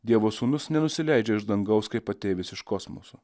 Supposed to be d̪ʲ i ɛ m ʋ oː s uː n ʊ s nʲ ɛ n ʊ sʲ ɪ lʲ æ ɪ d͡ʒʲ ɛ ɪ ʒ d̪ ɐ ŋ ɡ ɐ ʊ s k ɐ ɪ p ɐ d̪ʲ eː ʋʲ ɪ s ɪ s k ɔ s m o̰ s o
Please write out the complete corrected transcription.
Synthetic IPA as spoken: d̪ʲ i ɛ ʋ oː s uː n ʊ s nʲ ɛ n ʊ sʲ ɪ lʲ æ ɪ d͡ʒʲ ɛ ɪ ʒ d̪ ɐ ŋ ɡ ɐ ʊ s k ɐ ɪ p ɐ t̪ʲ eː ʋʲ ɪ s ɪ ʃ k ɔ s m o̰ s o